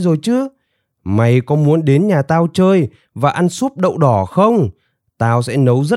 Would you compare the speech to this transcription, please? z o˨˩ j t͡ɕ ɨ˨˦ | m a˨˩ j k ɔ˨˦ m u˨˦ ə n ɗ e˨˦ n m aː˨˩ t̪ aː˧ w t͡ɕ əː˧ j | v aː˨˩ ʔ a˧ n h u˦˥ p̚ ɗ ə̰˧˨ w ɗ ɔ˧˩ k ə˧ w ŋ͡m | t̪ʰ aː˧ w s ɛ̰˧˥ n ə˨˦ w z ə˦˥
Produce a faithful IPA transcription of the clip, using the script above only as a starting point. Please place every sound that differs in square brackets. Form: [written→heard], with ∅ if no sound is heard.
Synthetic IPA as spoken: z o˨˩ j t͡ɕ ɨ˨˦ | m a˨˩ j k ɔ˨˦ m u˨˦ ə n ɗ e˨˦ n [m→ɲ] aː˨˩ t̪ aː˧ w t͡ɕ əː˧ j | v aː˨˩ ʔ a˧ n [h→s] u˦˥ p̚ ɗ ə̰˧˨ w ɗ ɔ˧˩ [k→x] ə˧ w ŋ͡m | [t̪ʰ→t̪] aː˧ w s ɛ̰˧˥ n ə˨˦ w z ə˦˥